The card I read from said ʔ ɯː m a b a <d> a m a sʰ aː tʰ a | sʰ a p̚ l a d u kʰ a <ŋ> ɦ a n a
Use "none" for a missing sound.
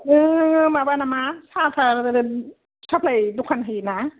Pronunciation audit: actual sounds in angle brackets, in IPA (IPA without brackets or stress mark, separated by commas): n, n